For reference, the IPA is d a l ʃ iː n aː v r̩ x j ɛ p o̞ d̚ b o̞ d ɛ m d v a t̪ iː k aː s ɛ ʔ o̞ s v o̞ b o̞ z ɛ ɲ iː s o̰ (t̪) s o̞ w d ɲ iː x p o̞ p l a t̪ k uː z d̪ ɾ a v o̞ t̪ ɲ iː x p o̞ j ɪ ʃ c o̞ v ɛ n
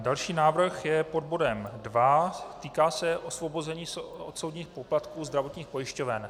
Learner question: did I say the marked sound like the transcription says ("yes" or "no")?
yes